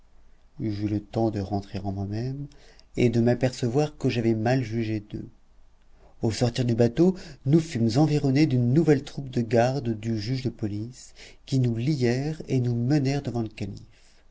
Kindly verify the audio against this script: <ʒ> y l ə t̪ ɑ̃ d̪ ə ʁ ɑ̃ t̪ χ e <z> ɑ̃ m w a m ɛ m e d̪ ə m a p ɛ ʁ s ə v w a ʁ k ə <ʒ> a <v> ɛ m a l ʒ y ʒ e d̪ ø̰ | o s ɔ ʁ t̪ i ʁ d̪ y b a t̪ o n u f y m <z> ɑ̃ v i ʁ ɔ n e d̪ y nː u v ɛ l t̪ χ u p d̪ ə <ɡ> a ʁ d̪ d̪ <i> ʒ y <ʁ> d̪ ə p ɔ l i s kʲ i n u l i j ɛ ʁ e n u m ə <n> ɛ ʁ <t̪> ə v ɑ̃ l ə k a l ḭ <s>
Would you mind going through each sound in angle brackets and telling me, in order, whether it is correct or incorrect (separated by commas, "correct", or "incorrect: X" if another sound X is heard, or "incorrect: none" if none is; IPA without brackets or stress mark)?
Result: correct, incorrect: ʁ, correct, correct, correct, correct, incorrect: y, incorrect: ʒ, correct, incorrect: d̪, incorrect: f